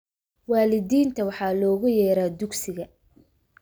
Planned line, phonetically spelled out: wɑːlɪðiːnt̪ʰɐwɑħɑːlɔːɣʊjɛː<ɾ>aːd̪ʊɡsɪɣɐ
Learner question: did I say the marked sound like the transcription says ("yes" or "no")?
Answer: yes